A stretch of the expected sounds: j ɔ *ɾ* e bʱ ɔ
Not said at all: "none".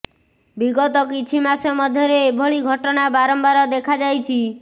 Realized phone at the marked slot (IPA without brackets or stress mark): ɾ